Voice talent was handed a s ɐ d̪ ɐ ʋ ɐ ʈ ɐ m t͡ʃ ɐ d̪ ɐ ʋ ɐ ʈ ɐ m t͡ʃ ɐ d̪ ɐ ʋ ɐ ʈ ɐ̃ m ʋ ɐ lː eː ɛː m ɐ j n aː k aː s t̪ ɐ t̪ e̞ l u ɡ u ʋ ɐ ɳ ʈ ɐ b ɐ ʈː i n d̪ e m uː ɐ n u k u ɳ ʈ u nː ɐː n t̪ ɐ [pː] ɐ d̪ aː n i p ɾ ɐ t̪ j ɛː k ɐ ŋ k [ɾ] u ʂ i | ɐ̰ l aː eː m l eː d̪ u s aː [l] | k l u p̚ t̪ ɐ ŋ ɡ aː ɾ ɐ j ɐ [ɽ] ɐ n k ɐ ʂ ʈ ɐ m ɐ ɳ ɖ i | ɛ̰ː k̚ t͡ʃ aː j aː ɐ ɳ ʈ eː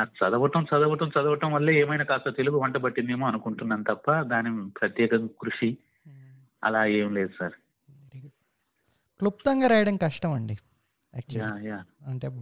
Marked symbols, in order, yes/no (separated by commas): yes, yes, no, yes